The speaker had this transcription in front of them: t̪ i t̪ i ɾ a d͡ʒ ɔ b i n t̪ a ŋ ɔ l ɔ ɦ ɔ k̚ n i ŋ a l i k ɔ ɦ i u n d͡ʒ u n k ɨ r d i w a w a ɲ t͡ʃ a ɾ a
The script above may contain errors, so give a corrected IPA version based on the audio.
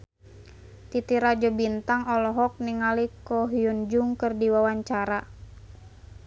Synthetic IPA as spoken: t̪ i t̪ i ɾ a d͡ʒ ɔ b i n t̪ a ŋ ɔ l ɔ ɦ ɔ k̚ n i ŋ a l i k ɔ ɦ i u n d͡ʒ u ŋ k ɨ r d i w a w a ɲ t͡ʃ a ɾ a